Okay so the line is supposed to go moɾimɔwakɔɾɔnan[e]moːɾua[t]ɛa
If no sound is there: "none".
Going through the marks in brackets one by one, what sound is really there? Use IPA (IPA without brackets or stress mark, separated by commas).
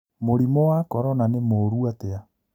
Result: e, t